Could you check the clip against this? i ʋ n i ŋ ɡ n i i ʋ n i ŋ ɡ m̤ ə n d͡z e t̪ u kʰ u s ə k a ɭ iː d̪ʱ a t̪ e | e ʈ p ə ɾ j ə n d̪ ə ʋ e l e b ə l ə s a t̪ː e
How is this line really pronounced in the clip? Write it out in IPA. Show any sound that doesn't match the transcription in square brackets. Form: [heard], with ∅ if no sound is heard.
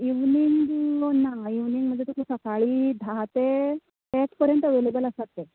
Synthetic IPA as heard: i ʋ n i ŋ ɡ n [a] i ʋ n i ŋ ɡ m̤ ə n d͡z e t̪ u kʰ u s ə k a ɭ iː d̪ʱ a t̪ e | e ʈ p ə ɾ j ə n [t̪] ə ʋ e l e b ə l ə s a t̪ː e